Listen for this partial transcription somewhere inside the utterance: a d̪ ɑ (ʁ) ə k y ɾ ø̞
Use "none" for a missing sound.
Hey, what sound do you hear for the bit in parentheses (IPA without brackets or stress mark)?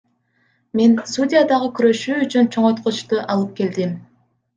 ʁ